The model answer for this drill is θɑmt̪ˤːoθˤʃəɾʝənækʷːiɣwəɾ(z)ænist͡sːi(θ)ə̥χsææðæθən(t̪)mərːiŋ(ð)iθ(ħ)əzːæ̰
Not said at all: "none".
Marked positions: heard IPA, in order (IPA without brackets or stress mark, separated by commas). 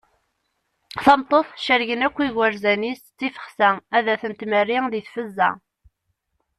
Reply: z, f, t̪, ð, f